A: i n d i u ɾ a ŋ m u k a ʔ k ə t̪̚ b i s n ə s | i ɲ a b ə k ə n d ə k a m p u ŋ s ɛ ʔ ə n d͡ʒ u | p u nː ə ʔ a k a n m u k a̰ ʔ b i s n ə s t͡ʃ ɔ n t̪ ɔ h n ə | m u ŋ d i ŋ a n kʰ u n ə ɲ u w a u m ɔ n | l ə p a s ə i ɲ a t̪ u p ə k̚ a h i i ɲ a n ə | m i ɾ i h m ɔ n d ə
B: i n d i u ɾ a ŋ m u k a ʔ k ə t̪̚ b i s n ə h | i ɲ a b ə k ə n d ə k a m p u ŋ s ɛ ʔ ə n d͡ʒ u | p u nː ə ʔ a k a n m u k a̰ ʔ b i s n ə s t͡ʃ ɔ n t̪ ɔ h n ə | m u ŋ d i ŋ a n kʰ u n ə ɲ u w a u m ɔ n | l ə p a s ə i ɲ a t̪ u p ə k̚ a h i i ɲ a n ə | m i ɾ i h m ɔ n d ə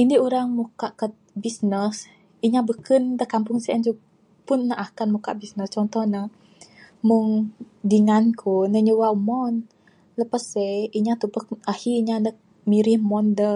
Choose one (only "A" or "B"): A